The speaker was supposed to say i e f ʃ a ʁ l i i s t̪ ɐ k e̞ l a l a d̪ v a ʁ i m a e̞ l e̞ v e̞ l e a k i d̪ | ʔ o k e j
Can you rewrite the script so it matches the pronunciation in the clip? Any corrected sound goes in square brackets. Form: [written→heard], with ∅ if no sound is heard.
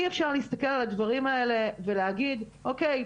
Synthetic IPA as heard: i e f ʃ a ʁ l i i s t̪ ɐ k e̞ l a l a d̪ v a ʁ i m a e̞ l e̞ v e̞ l e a [k→ɡ] i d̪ | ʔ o k e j

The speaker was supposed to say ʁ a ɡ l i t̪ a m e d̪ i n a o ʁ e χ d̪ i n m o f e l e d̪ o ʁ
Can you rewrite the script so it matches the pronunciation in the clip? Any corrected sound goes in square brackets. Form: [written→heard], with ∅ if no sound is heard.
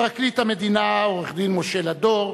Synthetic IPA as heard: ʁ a [ɡ→k] l i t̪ a m e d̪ i n a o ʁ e χ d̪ i n m o [f→ʃ] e l [e→a] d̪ o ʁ

